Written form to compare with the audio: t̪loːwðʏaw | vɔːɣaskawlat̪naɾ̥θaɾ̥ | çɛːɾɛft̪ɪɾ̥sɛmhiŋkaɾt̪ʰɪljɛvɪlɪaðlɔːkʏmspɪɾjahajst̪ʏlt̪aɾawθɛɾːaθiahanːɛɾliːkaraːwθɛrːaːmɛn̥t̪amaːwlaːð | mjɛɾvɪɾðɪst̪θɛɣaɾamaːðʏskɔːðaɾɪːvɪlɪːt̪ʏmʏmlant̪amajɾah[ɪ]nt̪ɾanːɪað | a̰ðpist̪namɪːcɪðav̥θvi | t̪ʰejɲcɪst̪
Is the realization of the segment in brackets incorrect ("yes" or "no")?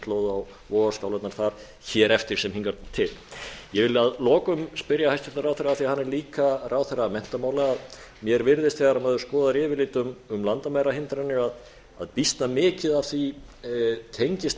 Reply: no